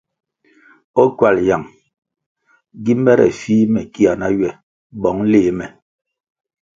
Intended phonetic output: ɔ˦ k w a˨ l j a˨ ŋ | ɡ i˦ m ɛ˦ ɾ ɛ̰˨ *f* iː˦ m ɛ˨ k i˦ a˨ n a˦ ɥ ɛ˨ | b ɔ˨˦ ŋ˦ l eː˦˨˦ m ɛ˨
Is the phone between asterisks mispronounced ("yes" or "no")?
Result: no